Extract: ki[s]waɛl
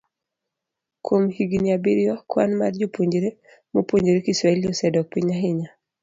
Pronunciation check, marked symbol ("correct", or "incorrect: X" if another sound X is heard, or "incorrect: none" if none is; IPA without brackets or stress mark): correct